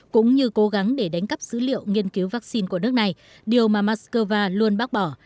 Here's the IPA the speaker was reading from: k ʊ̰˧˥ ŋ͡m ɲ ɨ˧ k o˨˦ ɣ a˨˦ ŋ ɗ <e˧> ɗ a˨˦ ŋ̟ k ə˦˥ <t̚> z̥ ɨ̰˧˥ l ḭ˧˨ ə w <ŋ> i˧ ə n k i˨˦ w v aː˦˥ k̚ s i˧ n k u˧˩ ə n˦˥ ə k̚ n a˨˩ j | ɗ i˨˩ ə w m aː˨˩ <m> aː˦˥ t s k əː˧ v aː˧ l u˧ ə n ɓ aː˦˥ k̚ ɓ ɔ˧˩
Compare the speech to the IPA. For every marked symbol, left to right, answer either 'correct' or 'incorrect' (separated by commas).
incorrect, incorrect, correct, correct